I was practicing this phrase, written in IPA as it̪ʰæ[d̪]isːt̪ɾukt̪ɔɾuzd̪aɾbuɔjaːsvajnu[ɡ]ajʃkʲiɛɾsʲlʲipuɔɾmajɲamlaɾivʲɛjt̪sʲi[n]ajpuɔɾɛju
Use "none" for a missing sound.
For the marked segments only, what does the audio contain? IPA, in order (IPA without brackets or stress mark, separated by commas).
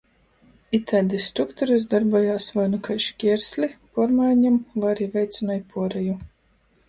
d̪, k, n